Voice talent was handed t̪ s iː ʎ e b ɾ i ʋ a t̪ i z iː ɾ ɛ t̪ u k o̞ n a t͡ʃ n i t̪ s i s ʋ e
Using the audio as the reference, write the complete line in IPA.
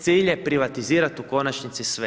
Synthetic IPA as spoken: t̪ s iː ʎ e p ɾ i ʋ a t̪ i z iː ɾ a t̪ u k o̞ n a t͡ʃ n i t̪ s i s ʋ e